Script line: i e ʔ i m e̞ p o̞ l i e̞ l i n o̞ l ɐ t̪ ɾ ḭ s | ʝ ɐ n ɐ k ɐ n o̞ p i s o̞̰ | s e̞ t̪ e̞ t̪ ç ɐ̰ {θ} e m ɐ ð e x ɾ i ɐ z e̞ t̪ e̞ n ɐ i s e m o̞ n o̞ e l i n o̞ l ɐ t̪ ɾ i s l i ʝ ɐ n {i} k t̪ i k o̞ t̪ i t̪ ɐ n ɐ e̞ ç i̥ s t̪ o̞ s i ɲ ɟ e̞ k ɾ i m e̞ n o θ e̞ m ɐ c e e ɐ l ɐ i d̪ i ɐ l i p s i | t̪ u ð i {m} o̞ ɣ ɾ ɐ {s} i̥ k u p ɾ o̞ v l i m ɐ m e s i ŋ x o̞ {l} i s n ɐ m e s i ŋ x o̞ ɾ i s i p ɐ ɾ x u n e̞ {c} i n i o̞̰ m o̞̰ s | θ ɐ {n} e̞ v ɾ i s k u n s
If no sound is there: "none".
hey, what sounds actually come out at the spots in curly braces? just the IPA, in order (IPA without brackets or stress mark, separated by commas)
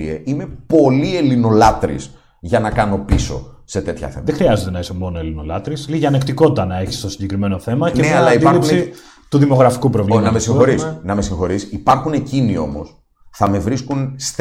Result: θ, e, m, f, ɾ, c, m